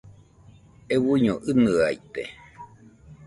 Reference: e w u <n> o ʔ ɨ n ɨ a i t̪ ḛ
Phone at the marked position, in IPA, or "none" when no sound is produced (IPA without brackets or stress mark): ɲ